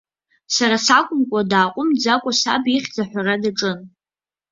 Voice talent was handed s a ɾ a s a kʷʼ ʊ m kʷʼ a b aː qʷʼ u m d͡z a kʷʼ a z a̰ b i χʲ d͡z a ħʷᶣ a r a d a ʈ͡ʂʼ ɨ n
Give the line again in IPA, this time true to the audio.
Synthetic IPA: s a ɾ a s a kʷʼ ʊ m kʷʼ a d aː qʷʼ ʊ m d͡z a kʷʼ a s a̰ b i χʲ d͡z a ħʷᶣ a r a d a ʈ͡ʂʼ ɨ n

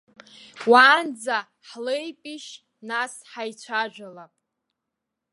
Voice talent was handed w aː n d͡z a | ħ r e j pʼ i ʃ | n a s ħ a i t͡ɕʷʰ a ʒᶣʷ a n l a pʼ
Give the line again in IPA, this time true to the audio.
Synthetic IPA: w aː n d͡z a | ħ l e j pʼ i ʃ | n a s ħ a j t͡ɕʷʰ a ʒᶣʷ a l a pʼ

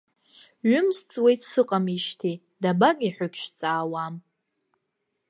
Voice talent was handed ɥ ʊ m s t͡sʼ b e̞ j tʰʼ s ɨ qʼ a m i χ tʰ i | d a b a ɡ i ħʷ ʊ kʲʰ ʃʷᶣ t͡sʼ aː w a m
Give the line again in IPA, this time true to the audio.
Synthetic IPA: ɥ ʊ m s t͡sʼ w e̞ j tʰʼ s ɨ qʼ a m i ʃ tʰ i | d a b a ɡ i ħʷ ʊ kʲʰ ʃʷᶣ t͡sʼ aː w a m

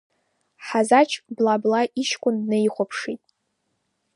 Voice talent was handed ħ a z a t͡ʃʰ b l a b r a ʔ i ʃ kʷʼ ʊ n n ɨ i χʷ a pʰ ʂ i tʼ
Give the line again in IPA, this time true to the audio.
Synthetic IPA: ħ a z a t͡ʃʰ b l a b l a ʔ i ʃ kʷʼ ʊ n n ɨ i χʷ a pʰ ʂ i tʼ

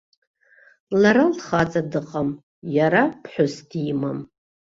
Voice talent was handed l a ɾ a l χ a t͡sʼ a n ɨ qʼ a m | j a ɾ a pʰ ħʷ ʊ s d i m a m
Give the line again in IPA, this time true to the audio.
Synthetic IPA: l a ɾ a l χ a t͡sʼ a d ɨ qʼ a m | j a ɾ a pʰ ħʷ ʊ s d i m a m

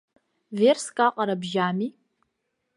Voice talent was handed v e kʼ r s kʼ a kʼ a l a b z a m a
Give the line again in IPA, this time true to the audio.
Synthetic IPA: v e r s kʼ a qʼ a ɾ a b ʒ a m i

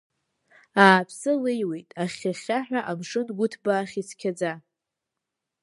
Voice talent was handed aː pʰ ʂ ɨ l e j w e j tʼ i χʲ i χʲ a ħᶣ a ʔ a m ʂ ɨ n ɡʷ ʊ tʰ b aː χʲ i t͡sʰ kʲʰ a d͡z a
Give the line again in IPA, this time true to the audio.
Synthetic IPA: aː pʰ s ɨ l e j w e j tʼ a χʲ a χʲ a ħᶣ a ʔ a m ʂ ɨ n ɡʷ ʊ tʰ b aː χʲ i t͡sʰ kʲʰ a d͡z a

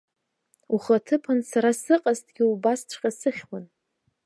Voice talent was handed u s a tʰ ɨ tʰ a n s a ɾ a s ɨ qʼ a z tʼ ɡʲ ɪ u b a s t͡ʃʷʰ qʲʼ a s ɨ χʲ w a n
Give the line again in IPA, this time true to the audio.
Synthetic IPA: u χ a tʰ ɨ pʰ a n s a ɾ a s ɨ qʼ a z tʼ ɡʲ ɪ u b a s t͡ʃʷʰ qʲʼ a s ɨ χʲ w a n

